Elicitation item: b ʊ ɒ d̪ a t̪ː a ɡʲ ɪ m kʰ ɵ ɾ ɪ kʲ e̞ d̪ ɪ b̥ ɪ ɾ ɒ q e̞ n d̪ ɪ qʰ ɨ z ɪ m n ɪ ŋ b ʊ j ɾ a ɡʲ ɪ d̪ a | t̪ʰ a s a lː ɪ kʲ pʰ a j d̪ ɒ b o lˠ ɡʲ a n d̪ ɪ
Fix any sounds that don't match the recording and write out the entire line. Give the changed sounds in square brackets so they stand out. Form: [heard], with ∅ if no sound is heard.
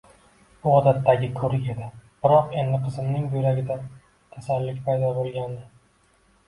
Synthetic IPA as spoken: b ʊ ɒ d̪ a t̪ː a ɡʲ ɪ [∅] kʰ ɵ ɾ ɪ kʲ e̞ d̪ ɪ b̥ ɪ ɾ ɒ q e̞ n d̪ ɪ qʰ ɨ z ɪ m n ɪ ŋ b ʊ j ɾ a ɡʲ ɪ d̪ a | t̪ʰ a s a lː ɪ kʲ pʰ a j d̪ ɒ b o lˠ ɡʲ a n d̪ ɪ